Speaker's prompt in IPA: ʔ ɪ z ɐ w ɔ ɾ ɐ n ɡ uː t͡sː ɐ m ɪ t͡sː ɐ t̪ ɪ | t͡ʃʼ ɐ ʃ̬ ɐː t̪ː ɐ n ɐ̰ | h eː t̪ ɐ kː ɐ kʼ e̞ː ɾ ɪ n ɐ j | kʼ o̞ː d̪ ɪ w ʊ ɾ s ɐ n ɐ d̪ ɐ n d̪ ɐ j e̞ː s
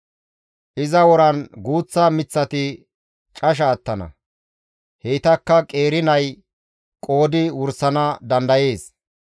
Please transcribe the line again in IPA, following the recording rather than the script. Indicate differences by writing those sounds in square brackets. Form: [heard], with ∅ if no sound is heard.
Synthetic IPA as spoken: ʔ ɪ z ɐ w ɔ ɾ ɐ n ɡ uː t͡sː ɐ m ɪ t͡sː ɐ t̪ ɪ | t͡ʃʼ ɐ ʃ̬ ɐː t̪ː ɐ n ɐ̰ | h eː t̪ ɐ kː ɐ kʼ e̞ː ɾ ɪ n ɐ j | kʼ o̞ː d̪ ɪ w ʊ ɾ s ɐ n ɐ d̪ ɐ n d̪ ɐ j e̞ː s